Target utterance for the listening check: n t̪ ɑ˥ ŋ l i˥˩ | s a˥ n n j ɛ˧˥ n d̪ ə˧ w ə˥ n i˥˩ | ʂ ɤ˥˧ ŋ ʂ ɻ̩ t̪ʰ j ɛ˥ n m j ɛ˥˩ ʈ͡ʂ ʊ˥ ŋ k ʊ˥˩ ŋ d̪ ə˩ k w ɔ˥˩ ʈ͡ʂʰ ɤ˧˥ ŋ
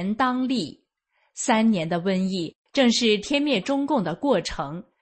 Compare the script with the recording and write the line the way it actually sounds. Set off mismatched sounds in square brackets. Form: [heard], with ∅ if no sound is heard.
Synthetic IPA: n t̪ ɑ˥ ŋ l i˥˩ | s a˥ n n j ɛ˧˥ n d̪ ə˧ w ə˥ n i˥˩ | [ʈ͡ʂ] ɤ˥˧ ŋ ʂ ɻ̩ t̪ʰ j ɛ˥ n m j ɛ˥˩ ʈ͡ʂ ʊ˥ ŋ k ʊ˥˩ ŋ d̪ ə˩ k w ɔ˥˩ ʈ͡ʂʰ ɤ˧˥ ŋ